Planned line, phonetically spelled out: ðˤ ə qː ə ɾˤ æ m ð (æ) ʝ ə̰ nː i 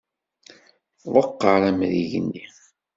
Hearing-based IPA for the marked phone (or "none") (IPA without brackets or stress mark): i